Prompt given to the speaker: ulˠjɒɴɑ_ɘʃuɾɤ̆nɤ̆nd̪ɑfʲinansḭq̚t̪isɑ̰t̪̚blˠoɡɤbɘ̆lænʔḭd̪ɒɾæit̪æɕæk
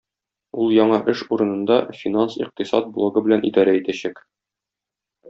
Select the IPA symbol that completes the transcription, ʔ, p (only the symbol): ʔ